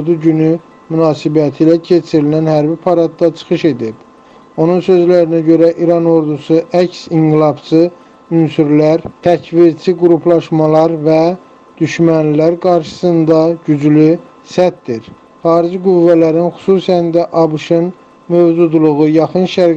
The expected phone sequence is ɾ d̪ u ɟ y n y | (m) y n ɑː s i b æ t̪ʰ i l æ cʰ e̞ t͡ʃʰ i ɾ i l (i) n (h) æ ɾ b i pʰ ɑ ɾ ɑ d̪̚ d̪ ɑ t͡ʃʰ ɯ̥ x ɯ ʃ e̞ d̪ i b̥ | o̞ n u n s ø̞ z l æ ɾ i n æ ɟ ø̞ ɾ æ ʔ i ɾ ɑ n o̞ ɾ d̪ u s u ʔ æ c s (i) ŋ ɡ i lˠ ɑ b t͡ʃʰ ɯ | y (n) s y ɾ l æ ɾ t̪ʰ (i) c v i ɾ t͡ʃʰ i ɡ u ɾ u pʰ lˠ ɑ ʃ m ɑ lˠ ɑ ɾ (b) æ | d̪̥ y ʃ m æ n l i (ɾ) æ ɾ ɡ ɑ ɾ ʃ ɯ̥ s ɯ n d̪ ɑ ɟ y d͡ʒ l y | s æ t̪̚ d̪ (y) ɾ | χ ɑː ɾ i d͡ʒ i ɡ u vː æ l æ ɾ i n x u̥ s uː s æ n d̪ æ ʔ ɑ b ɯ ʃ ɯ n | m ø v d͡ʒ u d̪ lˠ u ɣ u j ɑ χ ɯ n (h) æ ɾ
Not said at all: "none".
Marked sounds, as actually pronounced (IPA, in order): m, æ, h, i, n, æ, v, l, i, ʃ

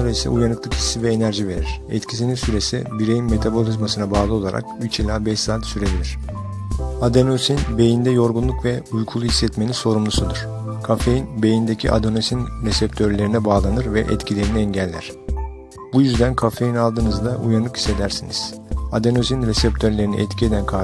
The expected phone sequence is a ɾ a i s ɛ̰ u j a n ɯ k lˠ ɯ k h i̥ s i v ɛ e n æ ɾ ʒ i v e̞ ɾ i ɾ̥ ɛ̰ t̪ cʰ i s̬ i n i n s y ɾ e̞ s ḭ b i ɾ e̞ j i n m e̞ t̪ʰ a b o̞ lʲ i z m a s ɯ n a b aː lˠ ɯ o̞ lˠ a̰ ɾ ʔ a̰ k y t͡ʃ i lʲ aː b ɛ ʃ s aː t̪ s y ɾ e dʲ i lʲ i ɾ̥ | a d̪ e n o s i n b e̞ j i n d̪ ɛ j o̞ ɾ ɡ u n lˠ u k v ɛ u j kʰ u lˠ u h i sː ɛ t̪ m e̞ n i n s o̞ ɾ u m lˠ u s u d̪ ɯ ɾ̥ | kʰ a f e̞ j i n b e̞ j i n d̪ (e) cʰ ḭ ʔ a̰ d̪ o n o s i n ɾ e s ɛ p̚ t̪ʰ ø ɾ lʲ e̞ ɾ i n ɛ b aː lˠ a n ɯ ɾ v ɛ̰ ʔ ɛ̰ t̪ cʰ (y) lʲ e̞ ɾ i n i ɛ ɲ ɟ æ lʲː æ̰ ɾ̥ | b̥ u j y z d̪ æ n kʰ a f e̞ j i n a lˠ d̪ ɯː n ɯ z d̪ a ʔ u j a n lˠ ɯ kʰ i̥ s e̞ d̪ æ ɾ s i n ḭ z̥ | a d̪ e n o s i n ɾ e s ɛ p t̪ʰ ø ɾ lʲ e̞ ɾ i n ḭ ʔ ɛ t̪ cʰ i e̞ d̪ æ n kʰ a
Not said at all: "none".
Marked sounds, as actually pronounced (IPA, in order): e, i

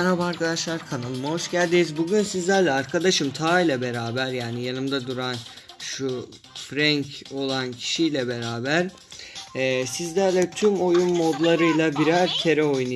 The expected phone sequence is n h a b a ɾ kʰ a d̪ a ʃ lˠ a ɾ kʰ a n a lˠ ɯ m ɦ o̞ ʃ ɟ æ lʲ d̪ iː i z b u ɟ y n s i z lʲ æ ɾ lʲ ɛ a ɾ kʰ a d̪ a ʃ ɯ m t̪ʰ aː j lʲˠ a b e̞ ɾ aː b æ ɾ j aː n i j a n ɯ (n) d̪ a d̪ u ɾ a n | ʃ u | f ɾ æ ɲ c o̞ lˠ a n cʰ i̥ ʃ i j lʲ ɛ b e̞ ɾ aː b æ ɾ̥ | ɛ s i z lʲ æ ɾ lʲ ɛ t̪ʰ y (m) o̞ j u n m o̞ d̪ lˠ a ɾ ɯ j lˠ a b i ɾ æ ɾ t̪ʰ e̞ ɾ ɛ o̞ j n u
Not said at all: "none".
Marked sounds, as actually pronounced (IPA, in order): m, m

